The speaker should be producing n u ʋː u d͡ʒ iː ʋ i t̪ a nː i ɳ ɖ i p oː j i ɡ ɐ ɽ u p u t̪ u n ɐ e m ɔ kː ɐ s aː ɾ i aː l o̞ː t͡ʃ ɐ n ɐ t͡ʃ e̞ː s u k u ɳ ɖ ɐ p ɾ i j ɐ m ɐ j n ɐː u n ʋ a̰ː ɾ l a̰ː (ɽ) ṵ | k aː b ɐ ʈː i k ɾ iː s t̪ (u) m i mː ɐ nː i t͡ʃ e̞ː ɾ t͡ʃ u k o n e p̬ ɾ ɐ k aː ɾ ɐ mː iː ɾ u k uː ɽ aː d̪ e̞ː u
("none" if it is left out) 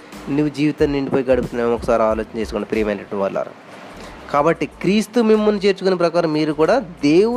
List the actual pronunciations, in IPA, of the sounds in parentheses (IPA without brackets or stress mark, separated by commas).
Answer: ɾ, u